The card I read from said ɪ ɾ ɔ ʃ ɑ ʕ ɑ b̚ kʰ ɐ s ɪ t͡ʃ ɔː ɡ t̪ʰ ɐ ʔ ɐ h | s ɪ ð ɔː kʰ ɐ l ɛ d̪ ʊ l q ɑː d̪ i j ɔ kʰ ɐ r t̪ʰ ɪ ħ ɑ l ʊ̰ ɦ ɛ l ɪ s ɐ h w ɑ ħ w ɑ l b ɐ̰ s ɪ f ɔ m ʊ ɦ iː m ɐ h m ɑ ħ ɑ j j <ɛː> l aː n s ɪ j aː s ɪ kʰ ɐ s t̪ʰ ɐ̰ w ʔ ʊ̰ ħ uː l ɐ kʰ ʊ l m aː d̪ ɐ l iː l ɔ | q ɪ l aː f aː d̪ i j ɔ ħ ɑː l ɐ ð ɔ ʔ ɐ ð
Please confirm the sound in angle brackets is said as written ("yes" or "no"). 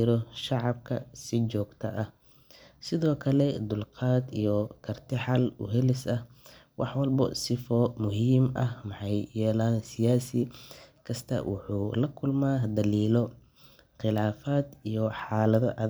yes